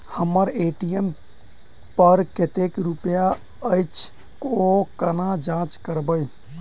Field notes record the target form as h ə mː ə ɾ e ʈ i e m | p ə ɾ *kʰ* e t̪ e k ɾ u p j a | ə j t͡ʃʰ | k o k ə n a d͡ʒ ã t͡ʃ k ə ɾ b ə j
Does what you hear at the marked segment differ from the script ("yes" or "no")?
yes